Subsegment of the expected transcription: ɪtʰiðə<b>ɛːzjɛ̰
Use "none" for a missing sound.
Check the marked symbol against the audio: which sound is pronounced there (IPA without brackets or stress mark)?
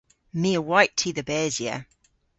b